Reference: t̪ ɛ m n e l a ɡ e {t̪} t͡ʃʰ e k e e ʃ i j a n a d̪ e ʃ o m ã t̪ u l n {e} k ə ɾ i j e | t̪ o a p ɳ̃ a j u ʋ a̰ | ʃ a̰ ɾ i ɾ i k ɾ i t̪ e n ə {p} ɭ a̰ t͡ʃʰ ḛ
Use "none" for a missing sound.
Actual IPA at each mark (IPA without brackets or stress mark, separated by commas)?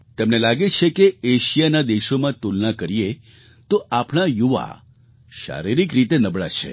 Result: none, a, b